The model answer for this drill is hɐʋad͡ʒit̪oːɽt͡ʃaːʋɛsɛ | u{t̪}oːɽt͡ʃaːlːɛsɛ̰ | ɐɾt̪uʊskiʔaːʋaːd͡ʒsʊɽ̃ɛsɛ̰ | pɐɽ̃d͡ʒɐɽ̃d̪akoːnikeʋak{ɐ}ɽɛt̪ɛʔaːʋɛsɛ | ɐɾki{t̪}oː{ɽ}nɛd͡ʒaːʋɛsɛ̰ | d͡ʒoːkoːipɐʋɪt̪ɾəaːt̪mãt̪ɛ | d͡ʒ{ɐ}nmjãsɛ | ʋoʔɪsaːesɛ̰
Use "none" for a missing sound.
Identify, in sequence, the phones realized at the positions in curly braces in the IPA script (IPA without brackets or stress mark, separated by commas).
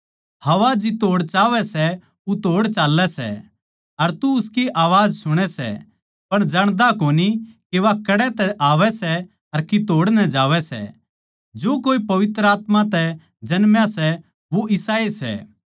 t̪, ɐ, t̪, ɽ, ɐ